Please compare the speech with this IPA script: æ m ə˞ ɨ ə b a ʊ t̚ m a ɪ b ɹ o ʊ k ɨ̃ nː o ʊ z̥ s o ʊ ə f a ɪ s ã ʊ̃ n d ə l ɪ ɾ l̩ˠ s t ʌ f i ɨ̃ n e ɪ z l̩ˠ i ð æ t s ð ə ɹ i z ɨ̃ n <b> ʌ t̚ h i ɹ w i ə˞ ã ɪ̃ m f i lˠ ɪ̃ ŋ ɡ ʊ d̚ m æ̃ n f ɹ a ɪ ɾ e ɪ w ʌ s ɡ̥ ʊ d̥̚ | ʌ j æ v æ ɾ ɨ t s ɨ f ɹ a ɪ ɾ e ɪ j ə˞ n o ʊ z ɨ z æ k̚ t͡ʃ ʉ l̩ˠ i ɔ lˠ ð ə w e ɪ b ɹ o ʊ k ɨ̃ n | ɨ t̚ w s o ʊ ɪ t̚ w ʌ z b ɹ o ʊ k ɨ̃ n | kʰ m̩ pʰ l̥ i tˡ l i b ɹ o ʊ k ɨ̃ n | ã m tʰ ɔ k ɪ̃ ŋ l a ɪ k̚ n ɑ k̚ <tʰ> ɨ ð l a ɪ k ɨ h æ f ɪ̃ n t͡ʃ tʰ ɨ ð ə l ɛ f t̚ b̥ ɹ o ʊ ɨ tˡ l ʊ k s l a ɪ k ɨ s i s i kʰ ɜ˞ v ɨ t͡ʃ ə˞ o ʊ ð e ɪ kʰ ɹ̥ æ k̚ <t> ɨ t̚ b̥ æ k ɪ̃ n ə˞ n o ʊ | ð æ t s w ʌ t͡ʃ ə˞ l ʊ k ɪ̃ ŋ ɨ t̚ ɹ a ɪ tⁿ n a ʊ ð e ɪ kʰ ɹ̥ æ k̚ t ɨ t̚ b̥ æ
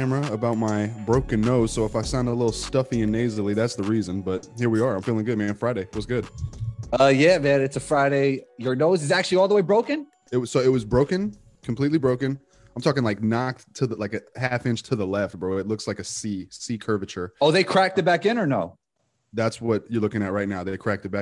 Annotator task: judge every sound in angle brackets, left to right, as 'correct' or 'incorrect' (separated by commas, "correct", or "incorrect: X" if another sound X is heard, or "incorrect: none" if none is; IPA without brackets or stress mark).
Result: correct, correct, correct